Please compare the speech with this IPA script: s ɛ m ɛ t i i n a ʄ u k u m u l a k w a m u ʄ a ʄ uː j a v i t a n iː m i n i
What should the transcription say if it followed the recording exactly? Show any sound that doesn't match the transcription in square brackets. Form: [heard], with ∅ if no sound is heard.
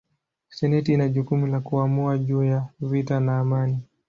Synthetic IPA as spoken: s ɛ [n] ɛ t i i n a ʄ u k u m u l a k [u] a m u [∅] a ʄ uː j a v i t a n [aː] m [a] n i